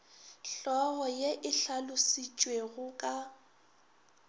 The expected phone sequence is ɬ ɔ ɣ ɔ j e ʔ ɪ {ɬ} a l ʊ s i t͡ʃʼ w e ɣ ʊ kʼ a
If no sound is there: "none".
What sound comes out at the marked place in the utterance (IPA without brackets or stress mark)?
ɬ